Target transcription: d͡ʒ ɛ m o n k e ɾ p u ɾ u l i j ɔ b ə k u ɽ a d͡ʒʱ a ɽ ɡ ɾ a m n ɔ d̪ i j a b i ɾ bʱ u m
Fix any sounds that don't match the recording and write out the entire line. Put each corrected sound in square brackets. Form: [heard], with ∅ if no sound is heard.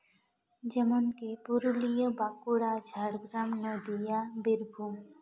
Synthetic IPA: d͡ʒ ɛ m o n k e [∅] p u ɾ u l i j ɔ b [a] k u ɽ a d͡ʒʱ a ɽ ɡ ɾ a m n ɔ d̪ i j a b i ɾ bʱ u m